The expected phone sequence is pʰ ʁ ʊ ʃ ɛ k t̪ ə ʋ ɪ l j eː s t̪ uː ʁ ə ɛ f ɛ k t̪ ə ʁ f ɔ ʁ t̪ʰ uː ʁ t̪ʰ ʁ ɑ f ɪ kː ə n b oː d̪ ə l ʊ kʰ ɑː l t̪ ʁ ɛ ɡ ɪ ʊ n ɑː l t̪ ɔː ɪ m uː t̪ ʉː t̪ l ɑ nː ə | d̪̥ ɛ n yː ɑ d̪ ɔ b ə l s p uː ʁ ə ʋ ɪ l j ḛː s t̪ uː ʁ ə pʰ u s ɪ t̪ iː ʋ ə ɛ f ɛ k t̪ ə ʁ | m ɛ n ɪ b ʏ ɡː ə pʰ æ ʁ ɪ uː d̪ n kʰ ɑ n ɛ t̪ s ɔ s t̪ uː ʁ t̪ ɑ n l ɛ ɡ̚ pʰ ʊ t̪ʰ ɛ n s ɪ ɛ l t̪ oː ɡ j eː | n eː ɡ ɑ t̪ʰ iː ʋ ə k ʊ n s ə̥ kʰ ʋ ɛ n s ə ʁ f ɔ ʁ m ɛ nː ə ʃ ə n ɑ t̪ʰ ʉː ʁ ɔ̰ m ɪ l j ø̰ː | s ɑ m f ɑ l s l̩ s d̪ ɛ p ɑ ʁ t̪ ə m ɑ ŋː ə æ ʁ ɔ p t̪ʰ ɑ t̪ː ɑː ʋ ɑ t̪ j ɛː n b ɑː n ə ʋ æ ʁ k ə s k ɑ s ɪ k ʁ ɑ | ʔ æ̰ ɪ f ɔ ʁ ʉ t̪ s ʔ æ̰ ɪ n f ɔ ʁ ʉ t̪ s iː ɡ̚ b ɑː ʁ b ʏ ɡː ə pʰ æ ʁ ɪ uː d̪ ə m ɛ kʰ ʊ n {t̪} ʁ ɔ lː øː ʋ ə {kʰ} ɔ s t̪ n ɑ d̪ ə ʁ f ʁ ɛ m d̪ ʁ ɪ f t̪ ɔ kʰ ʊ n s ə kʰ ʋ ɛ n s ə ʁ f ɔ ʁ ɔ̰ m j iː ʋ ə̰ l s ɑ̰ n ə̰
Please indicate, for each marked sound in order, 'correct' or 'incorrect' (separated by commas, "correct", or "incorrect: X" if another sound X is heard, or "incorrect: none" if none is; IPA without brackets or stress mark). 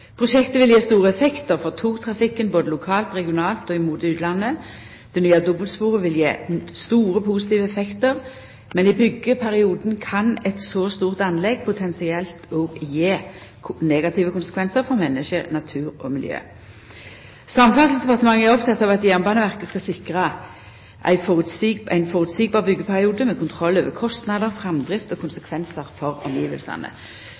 incorrect: t̪ʰ, correct